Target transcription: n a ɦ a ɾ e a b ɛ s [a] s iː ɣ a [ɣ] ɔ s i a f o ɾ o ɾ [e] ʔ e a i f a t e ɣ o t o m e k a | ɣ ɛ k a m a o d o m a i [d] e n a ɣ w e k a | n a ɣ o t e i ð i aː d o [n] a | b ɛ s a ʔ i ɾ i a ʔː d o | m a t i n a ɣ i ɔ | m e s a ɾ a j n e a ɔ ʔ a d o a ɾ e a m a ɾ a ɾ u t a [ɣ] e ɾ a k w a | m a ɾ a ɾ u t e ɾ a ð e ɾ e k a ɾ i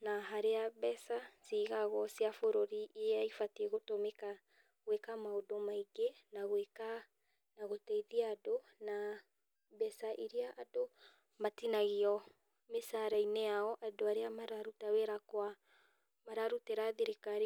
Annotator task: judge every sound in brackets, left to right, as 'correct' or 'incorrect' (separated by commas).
correct, correct, incorrect, incorrect, correct, incorrect